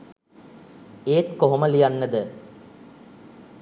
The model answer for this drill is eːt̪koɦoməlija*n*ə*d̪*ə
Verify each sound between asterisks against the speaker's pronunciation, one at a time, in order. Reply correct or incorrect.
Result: incorrect: nː, correct

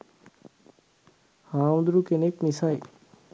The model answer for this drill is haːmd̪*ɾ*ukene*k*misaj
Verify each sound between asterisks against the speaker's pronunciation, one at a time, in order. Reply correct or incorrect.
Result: correct, correct

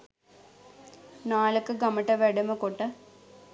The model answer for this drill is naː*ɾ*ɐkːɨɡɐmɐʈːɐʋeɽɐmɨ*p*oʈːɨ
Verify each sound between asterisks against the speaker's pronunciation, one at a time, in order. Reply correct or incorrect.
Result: incorrect: l, incorrect: k

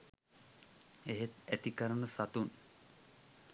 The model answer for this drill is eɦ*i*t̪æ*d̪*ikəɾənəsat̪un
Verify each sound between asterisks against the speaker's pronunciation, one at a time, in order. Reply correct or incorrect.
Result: incorrect: e, incorrect: t̪

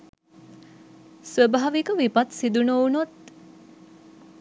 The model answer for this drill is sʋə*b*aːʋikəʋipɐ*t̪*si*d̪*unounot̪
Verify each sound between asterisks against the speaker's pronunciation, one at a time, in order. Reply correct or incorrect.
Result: correct, correct, correct

